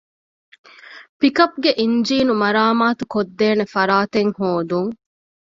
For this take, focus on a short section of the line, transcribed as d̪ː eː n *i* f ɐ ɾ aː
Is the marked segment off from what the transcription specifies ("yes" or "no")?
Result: yes